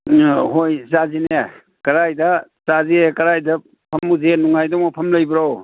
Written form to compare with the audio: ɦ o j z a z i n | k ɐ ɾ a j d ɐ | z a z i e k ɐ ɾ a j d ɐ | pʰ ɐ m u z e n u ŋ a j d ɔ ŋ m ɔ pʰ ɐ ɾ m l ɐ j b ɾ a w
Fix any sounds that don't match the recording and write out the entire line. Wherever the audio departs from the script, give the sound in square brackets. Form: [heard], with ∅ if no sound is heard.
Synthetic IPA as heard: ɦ o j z a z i n | k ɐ ɾ a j d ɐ | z a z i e k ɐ ɾ a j d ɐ | pʰ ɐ m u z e n u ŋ a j d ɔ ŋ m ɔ pʰ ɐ [∅] m l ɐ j b ɾ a w